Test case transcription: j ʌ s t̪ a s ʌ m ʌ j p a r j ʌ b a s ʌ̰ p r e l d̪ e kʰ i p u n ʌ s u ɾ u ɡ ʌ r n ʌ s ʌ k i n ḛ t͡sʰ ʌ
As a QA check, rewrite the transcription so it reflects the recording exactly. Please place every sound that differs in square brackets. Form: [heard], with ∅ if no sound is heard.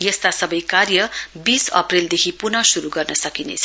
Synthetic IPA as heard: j ʌ s t̪ a s ʌ [b] ʌ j [k] a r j ʌ b [i] s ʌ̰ p r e l d̪ e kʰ i p u n ʌ s u ɾ u ɡ ʌ r n ʌ s ʌ k i n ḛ t͡sʰ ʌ